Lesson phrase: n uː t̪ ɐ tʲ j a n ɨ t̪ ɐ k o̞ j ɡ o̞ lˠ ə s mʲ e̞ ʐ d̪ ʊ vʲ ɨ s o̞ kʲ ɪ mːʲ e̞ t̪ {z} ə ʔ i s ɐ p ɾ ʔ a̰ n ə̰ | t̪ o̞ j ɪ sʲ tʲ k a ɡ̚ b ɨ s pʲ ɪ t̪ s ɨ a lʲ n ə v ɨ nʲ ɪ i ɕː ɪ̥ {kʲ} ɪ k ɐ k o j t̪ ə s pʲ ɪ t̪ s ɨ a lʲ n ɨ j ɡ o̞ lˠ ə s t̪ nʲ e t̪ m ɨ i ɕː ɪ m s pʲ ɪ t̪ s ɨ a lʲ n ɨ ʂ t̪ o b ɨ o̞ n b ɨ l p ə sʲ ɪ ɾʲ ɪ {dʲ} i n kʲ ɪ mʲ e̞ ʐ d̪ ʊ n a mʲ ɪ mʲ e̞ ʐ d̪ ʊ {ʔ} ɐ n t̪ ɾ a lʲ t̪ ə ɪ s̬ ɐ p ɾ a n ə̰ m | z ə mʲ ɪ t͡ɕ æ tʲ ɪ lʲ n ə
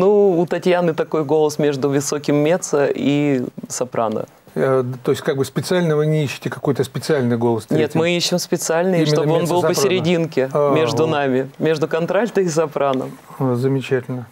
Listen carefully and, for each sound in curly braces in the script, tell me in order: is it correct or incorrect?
incorrect: s, incorrect: tʲ, correct, incorrect: k

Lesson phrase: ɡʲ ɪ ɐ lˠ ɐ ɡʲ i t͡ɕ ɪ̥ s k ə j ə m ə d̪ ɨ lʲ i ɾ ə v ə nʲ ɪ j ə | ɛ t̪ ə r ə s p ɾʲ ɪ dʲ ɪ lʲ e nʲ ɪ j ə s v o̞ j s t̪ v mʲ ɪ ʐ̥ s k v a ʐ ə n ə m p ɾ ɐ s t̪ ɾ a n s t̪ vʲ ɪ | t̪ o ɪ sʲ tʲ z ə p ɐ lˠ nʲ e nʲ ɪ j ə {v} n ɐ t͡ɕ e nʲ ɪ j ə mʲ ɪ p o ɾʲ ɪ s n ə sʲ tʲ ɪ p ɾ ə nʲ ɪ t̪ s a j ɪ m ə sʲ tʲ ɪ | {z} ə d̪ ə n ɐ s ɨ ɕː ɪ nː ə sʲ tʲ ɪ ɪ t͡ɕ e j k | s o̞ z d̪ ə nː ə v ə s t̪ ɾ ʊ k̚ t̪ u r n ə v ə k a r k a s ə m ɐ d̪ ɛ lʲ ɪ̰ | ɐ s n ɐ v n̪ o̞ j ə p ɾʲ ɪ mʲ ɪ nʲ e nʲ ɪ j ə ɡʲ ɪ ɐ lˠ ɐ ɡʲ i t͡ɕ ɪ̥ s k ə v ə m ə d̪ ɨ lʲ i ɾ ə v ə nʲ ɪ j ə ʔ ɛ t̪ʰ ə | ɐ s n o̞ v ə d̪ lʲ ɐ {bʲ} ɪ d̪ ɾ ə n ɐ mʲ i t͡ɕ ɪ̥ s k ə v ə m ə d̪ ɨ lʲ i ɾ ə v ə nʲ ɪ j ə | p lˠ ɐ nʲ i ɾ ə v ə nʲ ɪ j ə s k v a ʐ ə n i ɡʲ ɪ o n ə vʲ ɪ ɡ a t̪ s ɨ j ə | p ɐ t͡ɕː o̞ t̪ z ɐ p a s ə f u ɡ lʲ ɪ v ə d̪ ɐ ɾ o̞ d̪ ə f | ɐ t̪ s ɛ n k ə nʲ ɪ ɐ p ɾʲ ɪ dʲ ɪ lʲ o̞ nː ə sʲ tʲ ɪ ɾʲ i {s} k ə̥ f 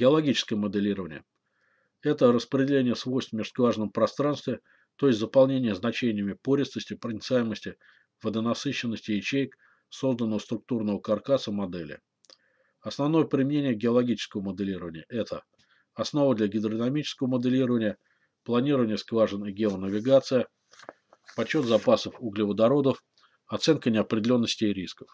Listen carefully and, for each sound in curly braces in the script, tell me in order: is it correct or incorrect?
incorrect: z, incorrect: v, incorrect: ɡʲ, correct

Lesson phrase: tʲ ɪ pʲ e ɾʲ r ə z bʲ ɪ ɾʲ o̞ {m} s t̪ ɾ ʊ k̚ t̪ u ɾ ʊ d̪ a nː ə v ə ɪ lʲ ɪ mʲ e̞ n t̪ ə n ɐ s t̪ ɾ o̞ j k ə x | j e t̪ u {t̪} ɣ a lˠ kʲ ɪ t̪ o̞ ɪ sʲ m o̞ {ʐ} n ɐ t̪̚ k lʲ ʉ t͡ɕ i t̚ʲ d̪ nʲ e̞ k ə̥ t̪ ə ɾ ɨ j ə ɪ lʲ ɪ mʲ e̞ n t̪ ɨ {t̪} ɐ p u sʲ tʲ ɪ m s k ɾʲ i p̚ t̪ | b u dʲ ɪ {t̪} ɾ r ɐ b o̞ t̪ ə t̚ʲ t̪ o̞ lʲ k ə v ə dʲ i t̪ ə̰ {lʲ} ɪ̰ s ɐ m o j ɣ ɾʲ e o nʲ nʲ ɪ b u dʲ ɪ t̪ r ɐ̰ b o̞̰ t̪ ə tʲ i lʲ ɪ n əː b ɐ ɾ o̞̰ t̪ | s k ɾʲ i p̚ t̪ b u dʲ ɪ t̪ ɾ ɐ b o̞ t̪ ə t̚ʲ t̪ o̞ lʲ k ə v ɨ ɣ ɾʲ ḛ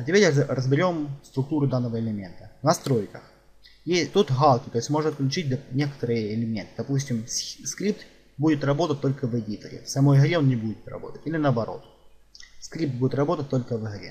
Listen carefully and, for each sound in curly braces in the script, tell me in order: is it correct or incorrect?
correct, correct, correct, incorrect: d̪, correct, incorrect: ɾʲ

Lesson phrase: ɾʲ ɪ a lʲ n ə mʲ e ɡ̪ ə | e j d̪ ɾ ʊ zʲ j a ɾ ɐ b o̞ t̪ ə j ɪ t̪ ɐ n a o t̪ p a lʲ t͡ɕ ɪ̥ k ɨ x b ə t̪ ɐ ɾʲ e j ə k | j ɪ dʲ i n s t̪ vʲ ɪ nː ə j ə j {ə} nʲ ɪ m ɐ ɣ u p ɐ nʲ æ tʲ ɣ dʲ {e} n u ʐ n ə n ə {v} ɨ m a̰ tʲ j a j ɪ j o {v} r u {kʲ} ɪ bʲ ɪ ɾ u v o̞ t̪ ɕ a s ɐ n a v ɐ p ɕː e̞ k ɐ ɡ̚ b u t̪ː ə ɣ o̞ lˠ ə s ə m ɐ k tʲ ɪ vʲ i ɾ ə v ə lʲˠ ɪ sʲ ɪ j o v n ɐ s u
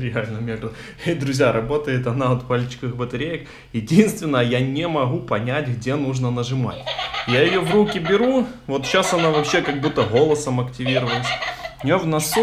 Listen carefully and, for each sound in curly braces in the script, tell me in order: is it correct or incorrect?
incorrect: a, correct, incorrect: ʐ, correct, correct

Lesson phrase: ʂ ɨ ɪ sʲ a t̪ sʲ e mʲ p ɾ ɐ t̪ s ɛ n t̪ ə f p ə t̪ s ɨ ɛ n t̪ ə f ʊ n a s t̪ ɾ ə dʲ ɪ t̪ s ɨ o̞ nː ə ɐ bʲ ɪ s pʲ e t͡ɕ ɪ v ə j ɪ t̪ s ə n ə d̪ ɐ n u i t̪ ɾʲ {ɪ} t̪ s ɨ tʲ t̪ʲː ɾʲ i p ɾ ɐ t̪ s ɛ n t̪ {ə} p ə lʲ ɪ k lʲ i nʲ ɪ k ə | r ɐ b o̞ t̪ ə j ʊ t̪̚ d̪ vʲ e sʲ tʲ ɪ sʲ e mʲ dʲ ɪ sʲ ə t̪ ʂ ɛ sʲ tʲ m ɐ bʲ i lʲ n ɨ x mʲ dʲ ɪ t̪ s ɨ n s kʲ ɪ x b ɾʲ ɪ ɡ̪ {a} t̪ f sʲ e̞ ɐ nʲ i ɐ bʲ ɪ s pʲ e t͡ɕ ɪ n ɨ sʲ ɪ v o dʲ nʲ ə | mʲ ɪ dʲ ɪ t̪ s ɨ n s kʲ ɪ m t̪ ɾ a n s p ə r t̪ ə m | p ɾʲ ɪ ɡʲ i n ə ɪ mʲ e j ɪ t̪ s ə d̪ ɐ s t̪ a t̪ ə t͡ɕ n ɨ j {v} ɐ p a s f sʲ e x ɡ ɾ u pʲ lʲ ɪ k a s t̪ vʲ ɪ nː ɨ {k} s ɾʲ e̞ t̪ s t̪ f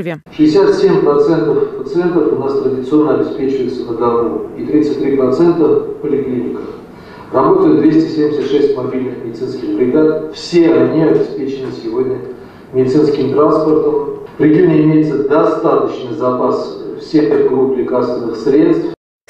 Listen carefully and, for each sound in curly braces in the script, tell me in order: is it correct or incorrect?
incorrect: i, correct, correct, incorrect: z, incorrect: x

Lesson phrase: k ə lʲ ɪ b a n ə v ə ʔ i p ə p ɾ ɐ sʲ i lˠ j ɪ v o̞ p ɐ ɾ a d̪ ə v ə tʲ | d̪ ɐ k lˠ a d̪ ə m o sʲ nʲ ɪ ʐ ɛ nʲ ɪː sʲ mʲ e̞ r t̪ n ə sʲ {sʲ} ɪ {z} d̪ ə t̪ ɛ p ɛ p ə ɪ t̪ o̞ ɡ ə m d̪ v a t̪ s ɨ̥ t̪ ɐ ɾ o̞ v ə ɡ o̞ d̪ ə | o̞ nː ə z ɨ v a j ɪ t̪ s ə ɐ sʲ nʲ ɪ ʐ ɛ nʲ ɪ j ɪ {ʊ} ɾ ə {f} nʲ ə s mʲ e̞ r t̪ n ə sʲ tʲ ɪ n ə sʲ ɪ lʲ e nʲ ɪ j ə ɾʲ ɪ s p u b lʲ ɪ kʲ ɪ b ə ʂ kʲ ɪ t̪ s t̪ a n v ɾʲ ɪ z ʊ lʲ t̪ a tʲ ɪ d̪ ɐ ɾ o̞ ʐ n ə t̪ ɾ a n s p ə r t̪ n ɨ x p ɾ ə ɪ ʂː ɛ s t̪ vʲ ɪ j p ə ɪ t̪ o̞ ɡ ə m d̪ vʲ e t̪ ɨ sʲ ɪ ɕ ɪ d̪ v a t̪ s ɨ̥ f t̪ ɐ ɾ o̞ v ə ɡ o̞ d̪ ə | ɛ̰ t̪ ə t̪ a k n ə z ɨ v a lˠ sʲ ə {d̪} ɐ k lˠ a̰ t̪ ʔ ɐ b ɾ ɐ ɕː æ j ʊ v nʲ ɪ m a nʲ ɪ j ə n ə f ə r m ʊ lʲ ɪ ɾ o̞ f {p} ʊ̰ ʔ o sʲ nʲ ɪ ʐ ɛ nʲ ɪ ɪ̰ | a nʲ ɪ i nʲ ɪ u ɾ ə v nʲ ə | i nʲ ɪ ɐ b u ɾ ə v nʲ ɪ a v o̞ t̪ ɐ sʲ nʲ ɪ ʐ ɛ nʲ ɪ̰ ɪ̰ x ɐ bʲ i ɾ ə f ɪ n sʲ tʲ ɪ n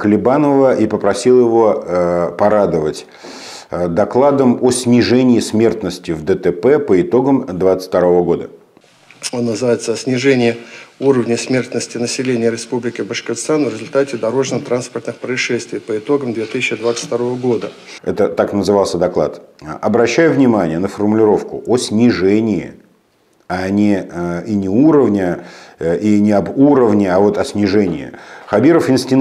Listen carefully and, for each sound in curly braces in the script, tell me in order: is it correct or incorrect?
incorrect: tʲ, incorrect: v, incorrect: u, incorrect: v, correct, incorrect: k

